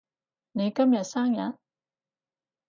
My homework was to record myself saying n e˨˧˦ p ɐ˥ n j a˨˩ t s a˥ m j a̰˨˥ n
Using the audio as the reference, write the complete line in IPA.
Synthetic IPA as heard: n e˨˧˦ k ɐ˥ m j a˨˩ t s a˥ ŋ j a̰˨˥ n

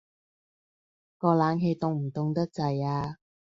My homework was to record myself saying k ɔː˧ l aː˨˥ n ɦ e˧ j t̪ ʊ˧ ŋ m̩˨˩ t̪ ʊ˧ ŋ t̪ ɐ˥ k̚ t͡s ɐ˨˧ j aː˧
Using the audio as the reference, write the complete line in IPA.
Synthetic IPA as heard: k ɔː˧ l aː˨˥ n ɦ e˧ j t̪ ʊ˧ ŋ m̩˨˩ t̪ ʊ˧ ŋ t̪ ɐ˥ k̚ t͡s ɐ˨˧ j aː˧

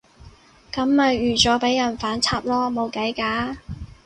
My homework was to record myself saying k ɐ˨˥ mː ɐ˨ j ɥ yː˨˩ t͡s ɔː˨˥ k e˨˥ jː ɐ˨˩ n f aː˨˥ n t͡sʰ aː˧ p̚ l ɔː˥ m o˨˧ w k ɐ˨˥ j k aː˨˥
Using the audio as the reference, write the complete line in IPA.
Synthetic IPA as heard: k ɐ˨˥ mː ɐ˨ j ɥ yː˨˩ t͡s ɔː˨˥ p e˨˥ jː ɐ˨˩ n f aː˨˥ n t͡sʰ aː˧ p̚ l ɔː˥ m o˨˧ w k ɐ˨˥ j k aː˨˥

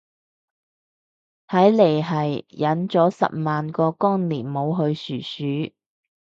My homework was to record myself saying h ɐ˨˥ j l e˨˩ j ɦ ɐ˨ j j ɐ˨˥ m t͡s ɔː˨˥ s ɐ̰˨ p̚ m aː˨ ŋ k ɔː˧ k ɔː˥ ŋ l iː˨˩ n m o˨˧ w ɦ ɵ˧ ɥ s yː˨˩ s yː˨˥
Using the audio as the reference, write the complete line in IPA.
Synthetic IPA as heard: h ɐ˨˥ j l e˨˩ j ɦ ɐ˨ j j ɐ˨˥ n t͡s ɔː˨˥ s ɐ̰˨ p̚ m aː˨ n k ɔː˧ k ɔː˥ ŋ l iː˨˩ n m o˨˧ w ɦ ɵ˧ ɥ s yː˨˩ s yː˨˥

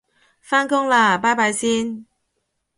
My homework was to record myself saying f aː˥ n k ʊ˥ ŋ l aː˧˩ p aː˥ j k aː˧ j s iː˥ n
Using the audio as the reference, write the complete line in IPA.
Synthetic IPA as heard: f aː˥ n k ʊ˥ ŋ l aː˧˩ p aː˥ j p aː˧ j s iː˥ n

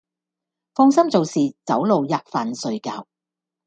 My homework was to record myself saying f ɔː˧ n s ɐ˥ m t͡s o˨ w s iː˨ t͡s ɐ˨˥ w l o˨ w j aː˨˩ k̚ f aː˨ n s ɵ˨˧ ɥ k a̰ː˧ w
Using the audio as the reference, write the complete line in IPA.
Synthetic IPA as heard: f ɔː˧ ŋ s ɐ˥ m t͡s o˨ w s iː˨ t͡s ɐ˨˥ w l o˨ w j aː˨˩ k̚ f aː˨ n s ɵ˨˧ ɥ k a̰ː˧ w

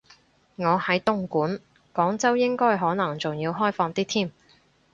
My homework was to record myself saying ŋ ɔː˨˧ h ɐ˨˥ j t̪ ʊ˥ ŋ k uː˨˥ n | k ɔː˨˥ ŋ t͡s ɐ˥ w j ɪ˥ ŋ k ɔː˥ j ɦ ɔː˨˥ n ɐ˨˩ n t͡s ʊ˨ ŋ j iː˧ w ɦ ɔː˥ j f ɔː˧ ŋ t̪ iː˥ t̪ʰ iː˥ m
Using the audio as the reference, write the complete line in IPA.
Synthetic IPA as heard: ŋ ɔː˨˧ h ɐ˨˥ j t̪ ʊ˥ ŋ k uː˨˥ n | k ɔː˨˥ ŋ t͡s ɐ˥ w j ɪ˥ ŋ k ɔː˥ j ɦ ɔː˨˥ n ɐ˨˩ ŋ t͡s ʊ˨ ŋ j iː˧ w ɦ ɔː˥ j f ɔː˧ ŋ t̪ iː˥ t̪ʰ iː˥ m

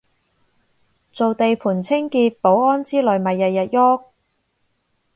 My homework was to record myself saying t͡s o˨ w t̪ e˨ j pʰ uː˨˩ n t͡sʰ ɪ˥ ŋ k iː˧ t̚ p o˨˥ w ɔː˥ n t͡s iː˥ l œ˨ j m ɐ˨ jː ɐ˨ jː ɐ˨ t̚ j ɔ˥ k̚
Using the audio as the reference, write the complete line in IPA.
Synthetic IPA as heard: t͡s o˨ w t̪ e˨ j pʰ uː˨˩ n t͡sʰ ɪ˥ ŋ k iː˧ t̚ p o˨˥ w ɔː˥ n t͡s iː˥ l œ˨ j m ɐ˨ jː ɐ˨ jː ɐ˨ t̚ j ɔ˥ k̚

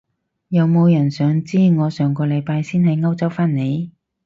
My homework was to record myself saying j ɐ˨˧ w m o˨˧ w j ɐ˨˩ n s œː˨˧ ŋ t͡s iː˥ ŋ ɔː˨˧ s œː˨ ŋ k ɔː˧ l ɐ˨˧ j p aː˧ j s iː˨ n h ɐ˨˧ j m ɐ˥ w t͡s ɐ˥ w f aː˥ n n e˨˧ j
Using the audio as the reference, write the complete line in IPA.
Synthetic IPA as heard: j ɐ˨˧ w m o˨˧ w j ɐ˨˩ n s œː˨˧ ŋ t͡s iː˥ ŋ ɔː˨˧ s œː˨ ŋ k ɔː˧ l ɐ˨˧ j p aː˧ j s iː˥ n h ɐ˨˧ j ŋ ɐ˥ w t͡s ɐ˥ w f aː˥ n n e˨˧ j

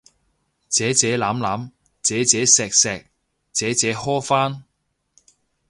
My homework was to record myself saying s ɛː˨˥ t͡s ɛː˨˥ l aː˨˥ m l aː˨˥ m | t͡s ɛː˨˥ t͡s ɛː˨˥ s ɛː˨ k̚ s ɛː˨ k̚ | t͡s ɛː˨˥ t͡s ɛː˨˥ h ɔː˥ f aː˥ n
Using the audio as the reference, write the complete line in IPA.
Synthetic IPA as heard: t͡s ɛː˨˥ t͡s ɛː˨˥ l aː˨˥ m l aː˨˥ m | t͡s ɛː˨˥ t͡s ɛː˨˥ s ɛː˨ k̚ s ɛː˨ k̚ | t͡s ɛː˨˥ t͡s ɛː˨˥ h ɔː˥ f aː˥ n

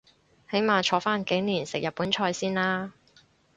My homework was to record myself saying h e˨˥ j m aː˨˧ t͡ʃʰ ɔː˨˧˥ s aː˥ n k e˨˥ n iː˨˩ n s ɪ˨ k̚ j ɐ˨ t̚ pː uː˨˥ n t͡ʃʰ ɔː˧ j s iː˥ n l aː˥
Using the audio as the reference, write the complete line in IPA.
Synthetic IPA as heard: h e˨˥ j m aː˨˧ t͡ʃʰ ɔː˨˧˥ f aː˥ n k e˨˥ n iː˨˩ n s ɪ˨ k̚ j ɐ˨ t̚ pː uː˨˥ n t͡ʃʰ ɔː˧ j s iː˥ n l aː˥

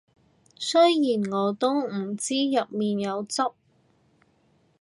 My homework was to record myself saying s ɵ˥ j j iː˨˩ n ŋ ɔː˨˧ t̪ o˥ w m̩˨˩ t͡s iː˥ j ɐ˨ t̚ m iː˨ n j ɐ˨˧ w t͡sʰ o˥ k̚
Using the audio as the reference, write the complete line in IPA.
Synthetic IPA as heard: s ɵ˥ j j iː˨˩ n ŋ ɔː˨˧ t̪ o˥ w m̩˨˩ t͡s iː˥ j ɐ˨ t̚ m iː˨ n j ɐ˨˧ w t͡s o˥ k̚

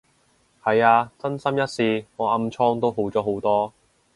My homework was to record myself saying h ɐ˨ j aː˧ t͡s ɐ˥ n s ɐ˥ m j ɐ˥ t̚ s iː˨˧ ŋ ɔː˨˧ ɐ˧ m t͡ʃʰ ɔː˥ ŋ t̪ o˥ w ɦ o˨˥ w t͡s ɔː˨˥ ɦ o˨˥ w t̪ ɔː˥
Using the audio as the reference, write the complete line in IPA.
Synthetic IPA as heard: h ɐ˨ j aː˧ t͡s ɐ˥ n s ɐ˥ m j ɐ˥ t̚ s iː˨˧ ŋ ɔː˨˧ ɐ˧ m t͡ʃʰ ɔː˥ ŋ t̪ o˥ w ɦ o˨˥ w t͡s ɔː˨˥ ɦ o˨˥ w t̪ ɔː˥

